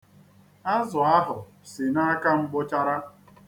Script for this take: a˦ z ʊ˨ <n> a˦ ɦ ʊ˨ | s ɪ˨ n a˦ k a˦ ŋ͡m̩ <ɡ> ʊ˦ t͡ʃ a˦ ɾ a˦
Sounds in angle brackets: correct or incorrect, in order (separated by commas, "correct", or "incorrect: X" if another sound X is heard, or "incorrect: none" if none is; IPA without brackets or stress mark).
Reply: incorrect: none, incorrect: ɡ͡b